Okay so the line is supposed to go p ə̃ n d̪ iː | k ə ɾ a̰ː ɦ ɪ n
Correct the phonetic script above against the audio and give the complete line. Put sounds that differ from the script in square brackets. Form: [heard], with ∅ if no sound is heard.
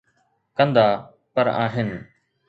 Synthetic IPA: [k] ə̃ n d̪ [aː] | [p] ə ɾ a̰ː ɦ ɪ n